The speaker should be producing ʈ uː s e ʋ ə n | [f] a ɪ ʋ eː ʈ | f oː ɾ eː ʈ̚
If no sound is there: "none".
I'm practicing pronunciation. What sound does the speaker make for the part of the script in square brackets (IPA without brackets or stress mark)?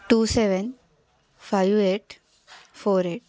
f